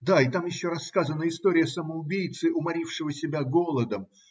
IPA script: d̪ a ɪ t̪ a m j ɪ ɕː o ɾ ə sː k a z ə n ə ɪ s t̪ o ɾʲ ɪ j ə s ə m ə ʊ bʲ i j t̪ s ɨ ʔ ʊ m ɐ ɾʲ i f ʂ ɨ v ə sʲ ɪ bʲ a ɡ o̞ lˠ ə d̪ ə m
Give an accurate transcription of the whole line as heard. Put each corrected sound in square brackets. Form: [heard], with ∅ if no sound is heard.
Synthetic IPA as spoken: d̪ a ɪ t̪ a m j ɪ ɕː o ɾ [ɐ] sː k a z ə n ə ɪ s t̪ o ɾʲ ɪ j ə s ə m ə ʊ bʲ i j t̪ s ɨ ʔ ʊ m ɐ ɾʲ i f ʂ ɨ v ə sʲ ɪ bʲ a ɡ o̞ lˠ ə d̪ ə m